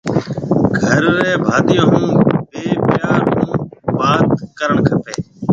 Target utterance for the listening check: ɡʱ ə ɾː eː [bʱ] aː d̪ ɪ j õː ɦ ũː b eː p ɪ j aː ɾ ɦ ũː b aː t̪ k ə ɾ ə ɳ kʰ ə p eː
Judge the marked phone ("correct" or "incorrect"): correct